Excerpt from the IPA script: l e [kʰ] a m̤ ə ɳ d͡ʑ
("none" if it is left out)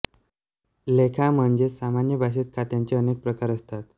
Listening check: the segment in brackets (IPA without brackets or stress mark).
kʰ